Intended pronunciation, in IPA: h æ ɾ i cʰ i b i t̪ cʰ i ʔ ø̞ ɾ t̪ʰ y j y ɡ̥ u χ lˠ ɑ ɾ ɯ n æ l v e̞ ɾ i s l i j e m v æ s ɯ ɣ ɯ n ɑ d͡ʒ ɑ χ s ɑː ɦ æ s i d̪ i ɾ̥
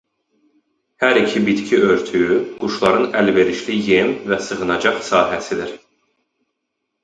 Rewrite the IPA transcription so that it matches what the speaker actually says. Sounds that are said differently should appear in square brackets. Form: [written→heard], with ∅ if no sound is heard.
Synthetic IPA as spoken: h æ ɾ i cʰ i b i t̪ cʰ i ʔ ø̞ ɾ t̪ʰ y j y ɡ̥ u [χ→ʃ] lˠ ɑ ɾ ɯ n æ l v e̞ ɾ i [s→ʃ] l i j e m v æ s ɯ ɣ ɯ n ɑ d͡ʒ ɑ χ s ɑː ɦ æ s i d̪ i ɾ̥